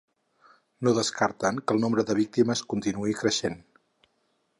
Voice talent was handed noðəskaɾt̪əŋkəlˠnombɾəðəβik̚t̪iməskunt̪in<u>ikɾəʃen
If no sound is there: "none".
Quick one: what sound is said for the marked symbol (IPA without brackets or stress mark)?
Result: u